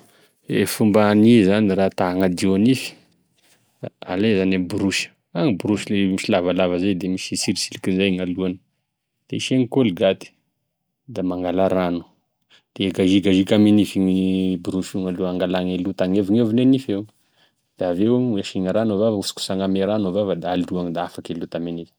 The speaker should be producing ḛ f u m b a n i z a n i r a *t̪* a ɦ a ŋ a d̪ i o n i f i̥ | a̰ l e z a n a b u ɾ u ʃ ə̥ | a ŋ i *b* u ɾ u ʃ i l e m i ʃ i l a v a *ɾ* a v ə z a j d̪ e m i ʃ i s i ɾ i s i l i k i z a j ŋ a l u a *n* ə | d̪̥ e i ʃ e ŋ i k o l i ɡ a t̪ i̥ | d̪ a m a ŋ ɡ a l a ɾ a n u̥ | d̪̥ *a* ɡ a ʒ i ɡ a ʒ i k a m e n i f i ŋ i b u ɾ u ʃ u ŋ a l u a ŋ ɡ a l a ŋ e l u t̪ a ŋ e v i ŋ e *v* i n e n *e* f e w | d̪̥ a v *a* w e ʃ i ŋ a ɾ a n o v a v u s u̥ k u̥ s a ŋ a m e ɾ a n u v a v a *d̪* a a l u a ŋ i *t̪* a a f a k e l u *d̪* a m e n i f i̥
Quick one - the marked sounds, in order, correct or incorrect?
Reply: correct, correct, incorrect, correct, incorrect, correct, incorrect, incorrect, correct, incorrect, incorrect

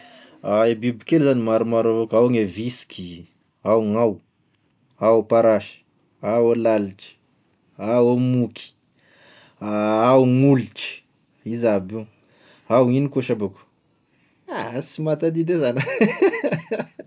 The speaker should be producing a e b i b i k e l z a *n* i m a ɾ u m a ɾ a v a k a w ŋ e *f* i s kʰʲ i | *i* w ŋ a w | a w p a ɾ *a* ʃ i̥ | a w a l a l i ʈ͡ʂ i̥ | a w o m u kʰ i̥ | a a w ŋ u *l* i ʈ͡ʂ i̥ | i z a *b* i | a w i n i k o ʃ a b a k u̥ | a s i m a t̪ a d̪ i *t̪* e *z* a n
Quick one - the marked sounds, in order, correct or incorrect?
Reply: correct, incorrect, incorrect, correct, correct, correct, incorrect, correct

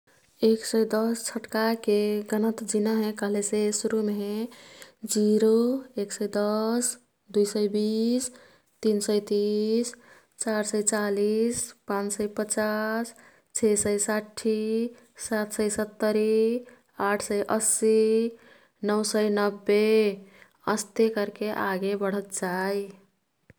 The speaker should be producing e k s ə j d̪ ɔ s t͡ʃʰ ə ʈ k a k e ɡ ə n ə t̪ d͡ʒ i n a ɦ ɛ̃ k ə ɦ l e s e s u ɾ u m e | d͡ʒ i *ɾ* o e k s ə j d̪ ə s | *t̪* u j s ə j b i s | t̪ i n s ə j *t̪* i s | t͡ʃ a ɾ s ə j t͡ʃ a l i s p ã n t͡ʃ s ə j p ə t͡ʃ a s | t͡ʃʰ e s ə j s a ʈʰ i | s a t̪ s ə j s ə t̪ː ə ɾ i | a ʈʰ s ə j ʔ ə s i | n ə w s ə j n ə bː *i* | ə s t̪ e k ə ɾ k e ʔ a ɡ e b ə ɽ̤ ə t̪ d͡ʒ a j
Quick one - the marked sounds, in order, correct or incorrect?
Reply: correct, incorrect, correct, incorrect

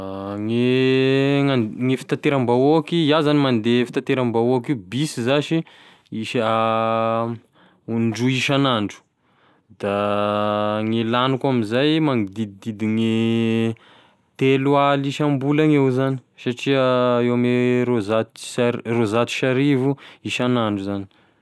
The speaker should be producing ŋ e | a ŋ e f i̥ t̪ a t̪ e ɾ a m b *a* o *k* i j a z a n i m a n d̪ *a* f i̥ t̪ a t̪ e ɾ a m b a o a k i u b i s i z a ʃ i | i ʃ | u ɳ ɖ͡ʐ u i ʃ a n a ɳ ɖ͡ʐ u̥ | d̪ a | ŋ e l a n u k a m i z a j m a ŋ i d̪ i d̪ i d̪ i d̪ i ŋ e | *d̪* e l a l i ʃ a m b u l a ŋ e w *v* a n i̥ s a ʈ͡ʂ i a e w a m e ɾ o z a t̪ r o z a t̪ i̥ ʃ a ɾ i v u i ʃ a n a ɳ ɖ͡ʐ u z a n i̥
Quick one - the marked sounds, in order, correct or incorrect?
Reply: correct, correct, incorrect, incorrect, incorrect

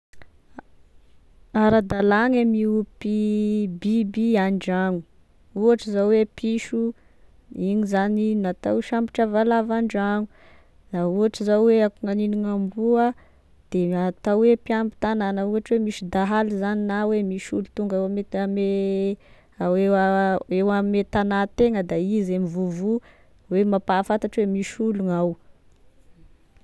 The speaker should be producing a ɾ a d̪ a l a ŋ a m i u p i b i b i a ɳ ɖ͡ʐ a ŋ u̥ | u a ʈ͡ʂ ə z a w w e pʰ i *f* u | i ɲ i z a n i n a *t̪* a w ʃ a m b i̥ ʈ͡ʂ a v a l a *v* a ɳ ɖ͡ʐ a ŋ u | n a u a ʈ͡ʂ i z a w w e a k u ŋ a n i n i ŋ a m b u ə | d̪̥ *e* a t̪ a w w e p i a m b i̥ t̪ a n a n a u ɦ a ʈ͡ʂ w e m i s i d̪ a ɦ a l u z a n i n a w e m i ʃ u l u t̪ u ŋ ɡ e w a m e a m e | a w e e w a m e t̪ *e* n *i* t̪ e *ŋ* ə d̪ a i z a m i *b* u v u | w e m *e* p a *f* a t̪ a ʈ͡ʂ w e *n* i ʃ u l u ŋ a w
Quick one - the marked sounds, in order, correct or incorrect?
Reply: incorrect, correct, correct, correct, incorrect, incorrect, correct, incorrect, incorrect, correct, incorrect

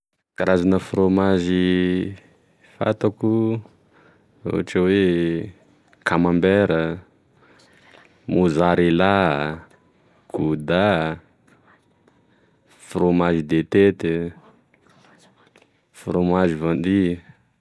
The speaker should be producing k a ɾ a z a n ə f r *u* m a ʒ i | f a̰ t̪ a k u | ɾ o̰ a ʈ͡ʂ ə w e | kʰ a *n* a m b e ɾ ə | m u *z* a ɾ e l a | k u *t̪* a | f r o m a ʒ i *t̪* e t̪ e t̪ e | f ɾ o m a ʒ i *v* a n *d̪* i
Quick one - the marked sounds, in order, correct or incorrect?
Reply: incorrect, incorrect, correct, incorrect, incorrect, correct, correct

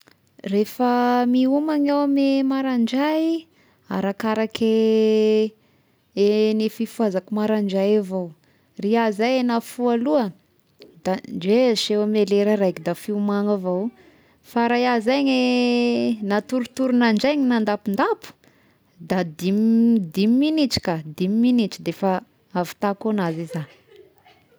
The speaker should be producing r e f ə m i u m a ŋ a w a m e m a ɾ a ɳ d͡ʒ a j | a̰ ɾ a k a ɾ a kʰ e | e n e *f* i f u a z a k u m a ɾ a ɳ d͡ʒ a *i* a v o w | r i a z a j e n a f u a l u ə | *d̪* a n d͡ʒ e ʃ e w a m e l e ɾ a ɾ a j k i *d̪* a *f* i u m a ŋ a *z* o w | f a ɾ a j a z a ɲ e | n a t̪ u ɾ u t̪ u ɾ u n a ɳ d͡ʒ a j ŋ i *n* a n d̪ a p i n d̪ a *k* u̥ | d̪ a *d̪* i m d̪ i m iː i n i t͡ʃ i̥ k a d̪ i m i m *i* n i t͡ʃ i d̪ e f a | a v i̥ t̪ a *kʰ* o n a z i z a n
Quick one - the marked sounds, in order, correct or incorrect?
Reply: correct, incorrect, correct, correct, correct, incorrect, correct, incorrect, correct, correct, incorrect

